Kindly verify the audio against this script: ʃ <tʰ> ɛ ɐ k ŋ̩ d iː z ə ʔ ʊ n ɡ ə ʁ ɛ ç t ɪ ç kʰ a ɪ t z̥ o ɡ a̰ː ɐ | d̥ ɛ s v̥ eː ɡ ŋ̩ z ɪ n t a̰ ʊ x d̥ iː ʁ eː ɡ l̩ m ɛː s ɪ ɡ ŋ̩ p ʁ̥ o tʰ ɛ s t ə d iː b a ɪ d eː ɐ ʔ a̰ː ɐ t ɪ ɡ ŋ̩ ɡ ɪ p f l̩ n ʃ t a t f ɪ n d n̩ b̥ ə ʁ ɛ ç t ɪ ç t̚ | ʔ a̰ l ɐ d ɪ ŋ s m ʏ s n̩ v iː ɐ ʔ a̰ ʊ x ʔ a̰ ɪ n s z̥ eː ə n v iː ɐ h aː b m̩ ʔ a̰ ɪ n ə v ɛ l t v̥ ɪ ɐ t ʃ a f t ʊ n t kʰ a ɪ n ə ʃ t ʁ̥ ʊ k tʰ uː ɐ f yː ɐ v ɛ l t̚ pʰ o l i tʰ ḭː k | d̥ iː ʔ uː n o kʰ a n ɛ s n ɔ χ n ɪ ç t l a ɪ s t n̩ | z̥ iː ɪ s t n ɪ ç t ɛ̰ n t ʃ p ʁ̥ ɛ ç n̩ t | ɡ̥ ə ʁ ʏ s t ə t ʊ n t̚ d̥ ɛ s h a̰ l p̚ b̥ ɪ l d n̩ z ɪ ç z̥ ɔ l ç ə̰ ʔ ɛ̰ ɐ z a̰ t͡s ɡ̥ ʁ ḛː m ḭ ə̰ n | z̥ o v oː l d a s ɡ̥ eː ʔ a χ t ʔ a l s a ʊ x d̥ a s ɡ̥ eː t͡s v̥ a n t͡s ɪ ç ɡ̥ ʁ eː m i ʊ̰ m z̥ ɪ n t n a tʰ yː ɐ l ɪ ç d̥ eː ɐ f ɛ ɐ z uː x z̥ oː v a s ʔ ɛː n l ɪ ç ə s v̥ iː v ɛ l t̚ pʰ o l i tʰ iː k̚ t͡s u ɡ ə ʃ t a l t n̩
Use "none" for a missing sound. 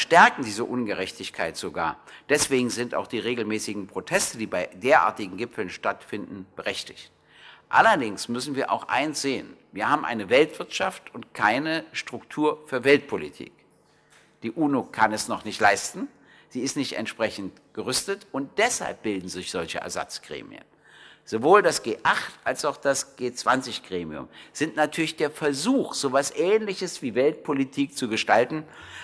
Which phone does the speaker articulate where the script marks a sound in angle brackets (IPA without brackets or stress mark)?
t